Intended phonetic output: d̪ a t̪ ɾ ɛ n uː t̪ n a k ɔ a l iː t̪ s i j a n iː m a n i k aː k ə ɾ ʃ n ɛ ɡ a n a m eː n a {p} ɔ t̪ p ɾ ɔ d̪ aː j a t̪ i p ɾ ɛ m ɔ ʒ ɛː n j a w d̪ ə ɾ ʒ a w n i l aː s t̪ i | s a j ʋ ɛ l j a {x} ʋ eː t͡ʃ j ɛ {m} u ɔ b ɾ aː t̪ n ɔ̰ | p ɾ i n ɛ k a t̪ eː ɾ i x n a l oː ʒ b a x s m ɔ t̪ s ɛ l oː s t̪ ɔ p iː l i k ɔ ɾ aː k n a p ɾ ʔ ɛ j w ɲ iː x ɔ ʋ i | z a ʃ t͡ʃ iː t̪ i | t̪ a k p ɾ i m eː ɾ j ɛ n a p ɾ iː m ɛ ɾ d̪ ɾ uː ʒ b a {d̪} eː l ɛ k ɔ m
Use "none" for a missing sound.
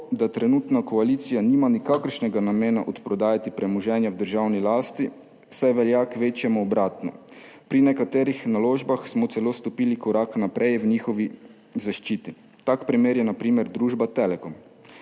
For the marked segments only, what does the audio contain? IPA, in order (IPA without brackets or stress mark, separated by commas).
ʔ, k, m, t̪